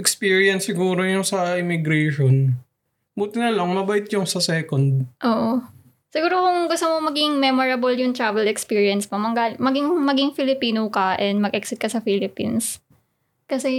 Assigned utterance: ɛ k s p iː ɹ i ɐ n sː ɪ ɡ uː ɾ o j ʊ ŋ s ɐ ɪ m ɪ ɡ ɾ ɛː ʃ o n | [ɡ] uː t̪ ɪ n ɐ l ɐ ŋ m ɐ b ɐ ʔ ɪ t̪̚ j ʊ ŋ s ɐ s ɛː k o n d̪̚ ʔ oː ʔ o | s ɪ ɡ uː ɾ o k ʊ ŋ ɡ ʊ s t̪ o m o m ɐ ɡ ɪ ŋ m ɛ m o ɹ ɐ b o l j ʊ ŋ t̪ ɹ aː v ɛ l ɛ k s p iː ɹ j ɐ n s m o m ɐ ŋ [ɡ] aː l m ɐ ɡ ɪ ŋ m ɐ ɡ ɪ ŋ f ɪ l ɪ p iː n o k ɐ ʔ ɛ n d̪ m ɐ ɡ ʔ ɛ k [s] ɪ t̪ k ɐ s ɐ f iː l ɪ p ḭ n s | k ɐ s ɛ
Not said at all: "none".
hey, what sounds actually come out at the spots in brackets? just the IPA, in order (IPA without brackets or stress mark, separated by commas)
b, ɡ, s